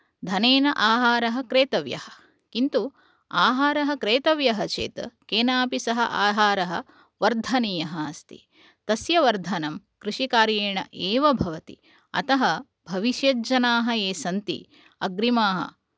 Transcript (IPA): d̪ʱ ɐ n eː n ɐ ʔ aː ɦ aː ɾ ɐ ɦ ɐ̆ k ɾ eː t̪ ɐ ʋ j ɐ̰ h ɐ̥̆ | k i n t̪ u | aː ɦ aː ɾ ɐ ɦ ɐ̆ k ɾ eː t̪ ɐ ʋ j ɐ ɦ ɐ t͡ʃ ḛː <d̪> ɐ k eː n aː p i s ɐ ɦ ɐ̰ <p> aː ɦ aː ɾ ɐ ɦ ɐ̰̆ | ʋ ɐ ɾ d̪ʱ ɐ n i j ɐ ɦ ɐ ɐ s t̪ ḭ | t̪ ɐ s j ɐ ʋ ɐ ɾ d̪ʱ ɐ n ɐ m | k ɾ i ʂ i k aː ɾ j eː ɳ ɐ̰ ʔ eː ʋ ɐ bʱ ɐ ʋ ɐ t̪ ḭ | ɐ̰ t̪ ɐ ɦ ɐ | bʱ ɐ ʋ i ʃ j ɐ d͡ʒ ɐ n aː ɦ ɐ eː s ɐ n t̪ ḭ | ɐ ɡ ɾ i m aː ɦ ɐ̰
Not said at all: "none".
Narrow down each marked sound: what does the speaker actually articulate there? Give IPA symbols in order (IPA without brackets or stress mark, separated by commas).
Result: t̪, ʔ